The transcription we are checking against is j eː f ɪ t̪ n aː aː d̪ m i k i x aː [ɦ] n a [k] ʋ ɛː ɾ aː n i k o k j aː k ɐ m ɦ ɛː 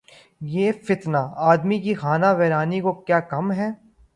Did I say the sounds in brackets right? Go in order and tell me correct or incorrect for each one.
incorrect, incorrect

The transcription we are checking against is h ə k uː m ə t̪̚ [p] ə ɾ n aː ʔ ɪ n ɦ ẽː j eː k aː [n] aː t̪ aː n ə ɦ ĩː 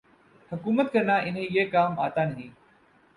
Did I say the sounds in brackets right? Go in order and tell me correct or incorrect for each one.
incorrect, incorrect

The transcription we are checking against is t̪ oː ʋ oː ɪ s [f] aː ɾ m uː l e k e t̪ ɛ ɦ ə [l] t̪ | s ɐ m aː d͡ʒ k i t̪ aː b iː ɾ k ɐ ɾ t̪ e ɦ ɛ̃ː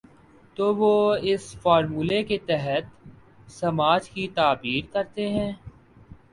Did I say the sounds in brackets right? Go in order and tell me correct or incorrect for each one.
correct, incorrect

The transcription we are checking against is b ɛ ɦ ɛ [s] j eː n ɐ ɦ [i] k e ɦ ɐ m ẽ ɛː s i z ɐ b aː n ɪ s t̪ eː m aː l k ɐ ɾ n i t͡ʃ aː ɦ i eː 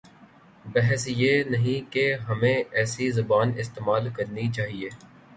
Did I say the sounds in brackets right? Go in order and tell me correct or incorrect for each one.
correct, incorrect

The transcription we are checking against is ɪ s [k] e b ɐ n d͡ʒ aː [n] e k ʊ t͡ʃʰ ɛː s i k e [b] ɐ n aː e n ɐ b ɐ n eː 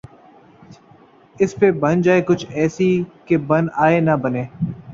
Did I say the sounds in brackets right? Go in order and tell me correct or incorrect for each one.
incorrect, incorrect, correct

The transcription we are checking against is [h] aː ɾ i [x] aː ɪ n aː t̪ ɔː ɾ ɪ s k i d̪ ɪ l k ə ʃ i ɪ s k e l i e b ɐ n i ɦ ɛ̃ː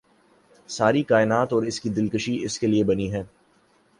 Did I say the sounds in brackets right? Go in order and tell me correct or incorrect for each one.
incorrect, incorrect

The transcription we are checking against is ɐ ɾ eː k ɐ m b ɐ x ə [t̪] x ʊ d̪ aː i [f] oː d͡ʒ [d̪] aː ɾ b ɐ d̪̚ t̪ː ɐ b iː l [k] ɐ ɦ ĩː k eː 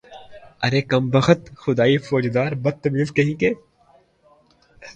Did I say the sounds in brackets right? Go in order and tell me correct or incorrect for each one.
correct, correct, correct, correct

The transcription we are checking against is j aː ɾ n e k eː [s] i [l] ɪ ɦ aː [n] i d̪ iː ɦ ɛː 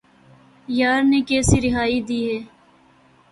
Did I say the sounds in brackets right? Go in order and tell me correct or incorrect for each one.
correct, incorrect, incorrect

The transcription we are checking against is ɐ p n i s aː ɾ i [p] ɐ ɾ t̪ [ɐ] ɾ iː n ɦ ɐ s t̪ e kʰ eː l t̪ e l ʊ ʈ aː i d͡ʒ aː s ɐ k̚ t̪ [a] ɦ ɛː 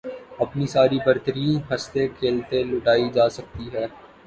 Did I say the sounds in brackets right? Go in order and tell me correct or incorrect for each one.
incorrect, incorrect, incorrect

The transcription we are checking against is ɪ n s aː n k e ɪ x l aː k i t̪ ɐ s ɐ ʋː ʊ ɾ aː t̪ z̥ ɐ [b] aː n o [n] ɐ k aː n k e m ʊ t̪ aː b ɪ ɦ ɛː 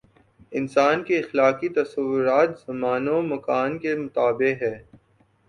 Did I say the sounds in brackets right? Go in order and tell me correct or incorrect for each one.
incorrect, incorrect

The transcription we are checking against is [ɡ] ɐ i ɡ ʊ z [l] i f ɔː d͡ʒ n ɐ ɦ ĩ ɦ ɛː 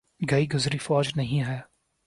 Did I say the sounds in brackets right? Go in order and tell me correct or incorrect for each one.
correct, incorrect

